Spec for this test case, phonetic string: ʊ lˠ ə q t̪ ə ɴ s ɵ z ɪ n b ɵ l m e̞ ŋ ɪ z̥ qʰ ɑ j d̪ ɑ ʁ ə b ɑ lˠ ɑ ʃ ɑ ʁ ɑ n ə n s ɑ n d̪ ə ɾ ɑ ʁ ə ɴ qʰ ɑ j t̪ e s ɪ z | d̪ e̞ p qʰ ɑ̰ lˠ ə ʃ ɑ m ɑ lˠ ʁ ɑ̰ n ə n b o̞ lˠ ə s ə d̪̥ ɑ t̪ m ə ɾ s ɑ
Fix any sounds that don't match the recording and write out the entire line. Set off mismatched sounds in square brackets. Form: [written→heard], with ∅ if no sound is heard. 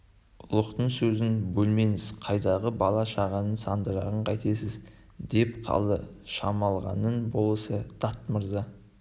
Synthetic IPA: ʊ lˠ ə q t̪ ə ɴ s ɵ z ɪ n b ɵ l m e̞ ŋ ɪ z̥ qʰ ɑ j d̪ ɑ ʁ ə b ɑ lˠ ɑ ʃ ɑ ʁ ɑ n ə n s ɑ n d̪ ə ɾ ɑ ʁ ə ɴ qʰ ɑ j t̪ e s ɪ z | d̪ e̞ p qʰ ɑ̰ lˠ ə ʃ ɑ m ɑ lˠ ʁ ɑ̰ n ə n b o̞ lˠ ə s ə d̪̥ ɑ t̪ m ə ɾ [s→z] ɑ